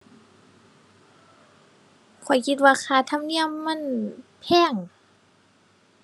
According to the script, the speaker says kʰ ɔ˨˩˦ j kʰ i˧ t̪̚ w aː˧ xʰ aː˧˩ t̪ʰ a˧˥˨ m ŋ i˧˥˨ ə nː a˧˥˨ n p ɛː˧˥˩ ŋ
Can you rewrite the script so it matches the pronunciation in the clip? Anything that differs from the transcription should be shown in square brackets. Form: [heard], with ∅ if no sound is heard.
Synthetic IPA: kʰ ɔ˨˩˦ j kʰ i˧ t̪̚ w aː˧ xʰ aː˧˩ t̪ʰ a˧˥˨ m [n] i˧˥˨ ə [mː] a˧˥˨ n [pʰ] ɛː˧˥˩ ŋ